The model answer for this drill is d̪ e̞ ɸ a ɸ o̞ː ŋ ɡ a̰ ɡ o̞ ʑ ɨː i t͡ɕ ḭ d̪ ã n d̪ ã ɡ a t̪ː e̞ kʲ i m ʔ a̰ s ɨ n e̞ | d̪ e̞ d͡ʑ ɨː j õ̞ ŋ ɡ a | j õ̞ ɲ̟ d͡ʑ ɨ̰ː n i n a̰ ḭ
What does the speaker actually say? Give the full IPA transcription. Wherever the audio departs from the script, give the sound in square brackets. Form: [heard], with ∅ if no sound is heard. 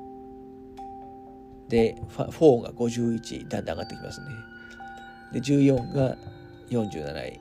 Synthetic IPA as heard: d̪ e̞ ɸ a ɸ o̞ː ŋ ɡ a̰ ɡ o̞ ʑ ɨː i t͡ɕ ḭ d̪ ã n d̪ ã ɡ a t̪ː e̞ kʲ i m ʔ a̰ s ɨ n e̞ | d̪ e̞ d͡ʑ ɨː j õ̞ ŋ ɡ a | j õ̞ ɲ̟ d͡ʑ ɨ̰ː n [a] n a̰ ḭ